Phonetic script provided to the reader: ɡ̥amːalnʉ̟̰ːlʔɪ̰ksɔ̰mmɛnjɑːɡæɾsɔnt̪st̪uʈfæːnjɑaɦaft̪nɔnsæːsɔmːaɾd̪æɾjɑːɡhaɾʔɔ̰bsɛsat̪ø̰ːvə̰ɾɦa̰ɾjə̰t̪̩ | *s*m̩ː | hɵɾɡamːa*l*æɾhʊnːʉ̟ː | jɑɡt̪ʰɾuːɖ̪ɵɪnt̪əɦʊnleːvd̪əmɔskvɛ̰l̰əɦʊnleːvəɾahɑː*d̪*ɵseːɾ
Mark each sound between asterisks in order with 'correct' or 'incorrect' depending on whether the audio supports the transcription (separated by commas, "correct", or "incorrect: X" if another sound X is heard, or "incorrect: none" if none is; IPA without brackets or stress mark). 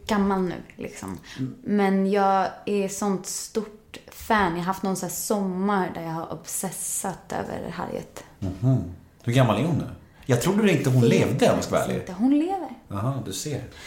incorrect: h, correct, correct